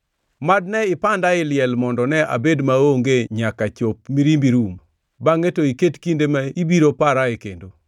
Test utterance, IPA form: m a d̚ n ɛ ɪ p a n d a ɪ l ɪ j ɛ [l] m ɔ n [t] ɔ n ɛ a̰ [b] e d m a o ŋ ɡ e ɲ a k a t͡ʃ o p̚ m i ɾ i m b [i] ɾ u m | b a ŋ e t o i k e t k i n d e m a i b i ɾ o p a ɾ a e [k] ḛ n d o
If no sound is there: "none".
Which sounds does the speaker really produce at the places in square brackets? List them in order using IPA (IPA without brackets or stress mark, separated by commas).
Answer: l, d, b, i, k